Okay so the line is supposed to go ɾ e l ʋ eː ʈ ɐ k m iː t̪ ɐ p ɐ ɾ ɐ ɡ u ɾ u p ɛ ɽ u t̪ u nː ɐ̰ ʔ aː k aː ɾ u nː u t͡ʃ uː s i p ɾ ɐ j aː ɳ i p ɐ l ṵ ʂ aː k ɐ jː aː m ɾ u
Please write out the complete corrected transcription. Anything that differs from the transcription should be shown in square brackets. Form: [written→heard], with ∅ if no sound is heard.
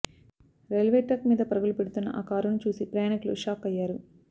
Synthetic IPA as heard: ɾ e l ʋ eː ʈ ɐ k m iː [t̪→d̪] ɐ p ɐ ɾ ɐ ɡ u [ɾ→l] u p [ɛ→e] ɽ u t̪ u nː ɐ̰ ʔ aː k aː ɾ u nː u t͡ʃ uː s i p ɾ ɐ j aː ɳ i [p→k] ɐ l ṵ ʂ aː k ɐ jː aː [m→∅] ɾ u